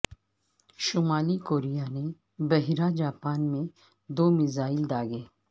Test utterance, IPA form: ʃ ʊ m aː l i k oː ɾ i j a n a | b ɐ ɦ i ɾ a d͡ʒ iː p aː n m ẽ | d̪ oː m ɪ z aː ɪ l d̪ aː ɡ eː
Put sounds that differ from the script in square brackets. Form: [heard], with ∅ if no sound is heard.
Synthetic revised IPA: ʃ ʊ m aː l i k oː ɾ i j a n [e] | b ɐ ɦ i ɾ a d͡ʒ [aː] p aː n m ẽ | d̪ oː m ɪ z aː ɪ l d̪ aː ɡ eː